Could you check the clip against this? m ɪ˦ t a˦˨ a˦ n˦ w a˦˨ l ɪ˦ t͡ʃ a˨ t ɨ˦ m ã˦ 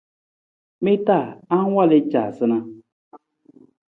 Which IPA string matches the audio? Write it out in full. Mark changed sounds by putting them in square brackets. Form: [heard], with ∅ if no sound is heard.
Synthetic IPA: m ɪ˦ t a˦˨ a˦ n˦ w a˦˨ l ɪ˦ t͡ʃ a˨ [s] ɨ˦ [n] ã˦